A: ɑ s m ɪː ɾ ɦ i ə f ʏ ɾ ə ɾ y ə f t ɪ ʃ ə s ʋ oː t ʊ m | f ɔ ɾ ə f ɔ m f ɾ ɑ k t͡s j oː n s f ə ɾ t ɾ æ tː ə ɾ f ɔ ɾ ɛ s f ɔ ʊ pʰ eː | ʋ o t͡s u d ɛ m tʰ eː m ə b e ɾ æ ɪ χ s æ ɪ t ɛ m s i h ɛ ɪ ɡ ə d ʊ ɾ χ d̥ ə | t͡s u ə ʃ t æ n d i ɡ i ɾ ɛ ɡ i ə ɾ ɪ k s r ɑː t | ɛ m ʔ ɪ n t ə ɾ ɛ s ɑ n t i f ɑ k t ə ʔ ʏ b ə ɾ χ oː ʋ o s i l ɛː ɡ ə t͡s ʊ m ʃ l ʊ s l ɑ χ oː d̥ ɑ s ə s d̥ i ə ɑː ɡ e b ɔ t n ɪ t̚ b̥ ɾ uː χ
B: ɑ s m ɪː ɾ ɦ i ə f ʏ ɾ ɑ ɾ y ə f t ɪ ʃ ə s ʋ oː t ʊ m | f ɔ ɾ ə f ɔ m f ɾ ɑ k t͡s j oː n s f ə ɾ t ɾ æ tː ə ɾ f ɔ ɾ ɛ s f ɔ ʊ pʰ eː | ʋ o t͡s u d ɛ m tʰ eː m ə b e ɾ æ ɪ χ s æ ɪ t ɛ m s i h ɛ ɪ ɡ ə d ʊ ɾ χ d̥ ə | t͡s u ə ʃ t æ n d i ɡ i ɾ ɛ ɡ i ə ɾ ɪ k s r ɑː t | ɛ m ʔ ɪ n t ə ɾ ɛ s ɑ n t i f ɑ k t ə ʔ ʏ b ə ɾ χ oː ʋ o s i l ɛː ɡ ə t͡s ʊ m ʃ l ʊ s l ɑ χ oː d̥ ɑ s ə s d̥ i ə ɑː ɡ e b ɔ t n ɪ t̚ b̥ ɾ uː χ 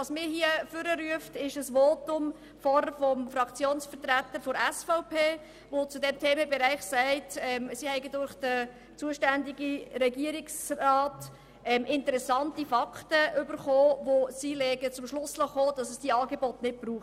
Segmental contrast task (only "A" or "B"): A